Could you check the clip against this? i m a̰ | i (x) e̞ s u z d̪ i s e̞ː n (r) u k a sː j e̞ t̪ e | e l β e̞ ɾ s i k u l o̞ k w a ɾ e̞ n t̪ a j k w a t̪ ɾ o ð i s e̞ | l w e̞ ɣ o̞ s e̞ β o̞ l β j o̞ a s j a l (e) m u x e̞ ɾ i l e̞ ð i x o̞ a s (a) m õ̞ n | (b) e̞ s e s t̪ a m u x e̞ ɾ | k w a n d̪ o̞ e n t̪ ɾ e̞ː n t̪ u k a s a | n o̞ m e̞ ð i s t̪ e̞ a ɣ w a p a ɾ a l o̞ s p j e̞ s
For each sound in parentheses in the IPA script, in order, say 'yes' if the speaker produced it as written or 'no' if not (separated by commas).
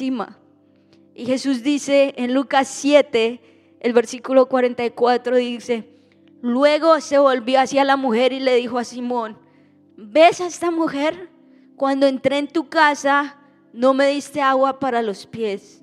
yes, no, no, no, yes